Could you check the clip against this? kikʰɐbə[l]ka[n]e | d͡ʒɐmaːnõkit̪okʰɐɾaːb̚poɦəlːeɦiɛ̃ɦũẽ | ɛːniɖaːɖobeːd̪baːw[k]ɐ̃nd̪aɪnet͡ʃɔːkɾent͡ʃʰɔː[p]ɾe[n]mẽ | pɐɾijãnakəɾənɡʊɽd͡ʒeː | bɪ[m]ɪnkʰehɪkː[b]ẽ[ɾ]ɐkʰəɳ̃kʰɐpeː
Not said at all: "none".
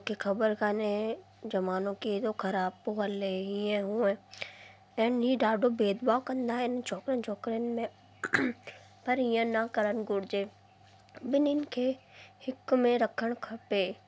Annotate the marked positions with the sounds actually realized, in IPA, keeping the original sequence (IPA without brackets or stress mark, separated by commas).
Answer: ɾ, n, k, k, n, n, m, ɾ